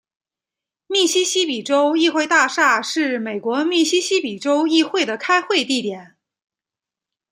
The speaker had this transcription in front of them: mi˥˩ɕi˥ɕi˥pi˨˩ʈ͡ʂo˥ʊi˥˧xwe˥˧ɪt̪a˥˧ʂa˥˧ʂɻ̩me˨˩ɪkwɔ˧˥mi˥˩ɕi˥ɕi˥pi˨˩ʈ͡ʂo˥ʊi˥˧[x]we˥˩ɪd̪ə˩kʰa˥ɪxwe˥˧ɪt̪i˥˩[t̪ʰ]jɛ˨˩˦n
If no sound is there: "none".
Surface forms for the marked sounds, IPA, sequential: x, t̪

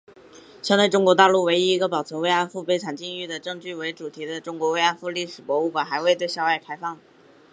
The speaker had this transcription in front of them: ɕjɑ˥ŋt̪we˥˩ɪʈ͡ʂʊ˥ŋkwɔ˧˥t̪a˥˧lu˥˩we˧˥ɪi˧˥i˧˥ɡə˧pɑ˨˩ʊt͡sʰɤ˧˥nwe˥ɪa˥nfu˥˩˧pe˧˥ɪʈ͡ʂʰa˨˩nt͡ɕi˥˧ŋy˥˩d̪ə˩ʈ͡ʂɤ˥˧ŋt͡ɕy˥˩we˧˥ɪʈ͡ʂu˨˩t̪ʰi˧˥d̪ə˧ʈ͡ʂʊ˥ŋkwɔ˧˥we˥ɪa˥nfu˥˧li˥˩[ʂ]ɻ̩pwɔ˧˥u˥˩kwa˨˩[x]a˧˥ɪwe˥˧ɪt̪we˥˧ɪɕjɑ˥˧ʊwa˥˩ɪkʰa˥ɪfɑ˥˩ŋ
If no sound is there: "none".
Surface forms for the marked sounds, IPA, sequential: ʂ, x

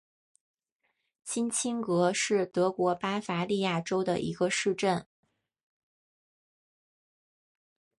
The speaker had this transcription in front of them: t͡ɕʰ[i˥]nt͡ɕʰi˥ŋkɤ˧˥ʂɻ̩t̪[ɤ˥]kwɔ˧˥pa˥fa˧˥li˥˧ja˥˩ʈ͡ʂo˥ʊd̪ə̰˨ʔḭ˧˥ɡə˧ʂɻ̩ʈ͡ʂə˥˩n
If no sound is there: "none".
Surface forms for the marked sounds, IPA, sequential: i˥, ɤ˧˥

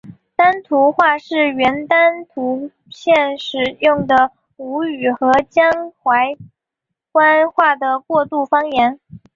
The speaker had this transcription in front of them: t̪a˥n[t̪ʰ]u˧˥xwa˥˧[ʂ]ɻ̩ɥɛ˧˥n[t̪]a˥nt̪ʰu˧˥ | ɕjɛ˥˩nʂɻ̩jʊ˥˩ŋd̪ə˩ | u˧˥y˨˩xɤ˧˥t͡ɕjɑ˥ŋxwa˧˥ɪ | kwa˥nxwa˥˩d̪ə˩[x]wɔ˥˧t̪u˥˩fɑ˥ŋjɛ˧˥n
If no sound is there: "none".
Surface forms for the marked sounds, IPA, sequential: t̪ʰ, ʂ, t̪, k

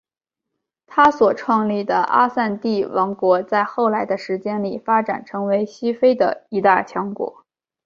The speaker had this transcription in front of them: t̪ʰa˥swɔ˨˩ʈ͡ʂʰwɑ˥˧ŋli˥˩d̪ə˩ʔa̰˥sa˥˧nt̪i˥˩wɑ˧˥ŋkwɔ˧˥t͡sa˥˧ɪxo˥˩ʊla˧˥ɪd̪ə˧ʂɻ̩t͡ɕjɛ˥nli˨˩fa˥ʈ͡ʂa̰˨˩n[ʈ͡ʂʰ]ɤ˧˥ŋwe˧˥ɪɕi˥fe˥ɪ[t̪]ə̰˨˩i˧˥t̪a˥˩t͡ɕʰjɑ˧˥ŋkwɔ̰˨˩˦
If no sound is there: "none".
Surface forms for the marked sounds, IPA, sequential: ʈ͡ʂʰ, d̪

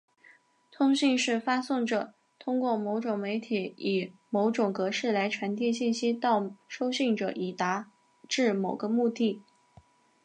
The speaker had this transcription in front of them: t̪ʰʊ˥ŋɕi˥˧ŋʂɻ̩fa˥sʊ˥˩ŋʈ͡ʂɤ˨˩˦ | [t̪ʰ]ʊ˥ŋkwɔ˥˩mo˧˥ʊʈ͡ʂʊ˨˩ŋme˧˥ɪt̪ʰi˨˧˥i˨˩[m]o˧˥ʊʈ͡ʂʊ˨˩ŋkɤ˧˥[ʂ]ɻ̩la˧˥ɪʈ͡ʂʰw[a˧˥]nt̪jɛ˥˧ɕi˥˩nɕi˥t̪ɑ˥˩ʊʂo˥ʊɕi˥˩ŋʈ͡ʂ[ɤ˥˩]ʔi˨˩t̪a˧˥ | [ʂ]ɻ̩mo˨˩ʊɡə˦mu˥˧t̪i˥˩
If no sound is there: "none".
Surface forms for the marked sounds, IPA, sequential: t̪ʰ, m, ʂ, a˧˥, ɤ˨˩, ʈ͡ʂ

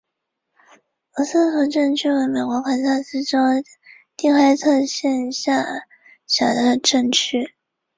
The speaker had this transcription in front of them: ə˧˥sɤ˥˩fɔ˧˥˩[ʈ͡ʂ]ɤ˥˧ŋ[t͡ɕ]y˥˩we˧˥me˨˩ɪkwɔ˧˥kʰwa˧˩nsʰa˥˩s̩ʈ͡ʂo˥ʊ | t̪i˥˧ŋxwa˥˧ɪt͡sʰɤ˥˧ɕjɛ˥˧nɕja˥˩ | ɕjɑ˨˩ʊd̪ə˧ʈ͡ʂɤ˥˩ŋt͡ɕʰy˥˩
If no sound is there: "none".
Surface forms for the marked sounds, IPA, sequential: ʈ͡ʂ, t͡ɕʰ

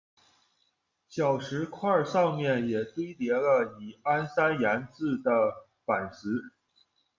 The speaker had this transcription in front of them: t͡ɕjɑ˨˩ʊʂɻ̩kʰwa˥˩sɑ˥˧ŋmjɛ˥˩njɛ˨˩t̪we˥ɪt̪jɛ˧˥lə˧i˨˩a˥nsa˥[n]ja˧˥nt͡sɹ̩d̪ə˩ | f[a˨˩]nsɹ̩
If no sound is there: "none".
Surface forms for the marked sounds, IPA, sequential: n, a˨˩

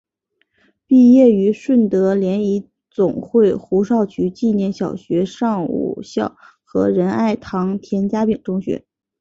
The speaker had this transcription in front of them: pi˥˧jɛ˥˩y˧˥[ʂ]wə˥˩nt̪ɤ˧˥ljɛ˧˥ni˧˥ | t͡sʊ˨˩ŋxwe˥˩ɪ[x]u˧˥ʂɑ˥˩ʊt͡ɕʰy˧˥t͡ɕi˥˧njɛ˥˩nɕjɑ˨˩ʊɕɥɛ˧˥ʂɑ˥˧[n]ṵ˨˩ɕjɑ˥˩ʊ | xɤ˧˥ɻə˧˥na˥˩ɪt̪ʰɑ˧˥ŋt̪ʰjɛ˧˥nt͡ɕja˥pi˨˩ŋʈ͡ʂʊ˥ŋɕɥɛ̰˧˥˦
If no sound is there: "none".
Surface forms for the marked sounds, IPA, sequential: ʂ, x, ŋ

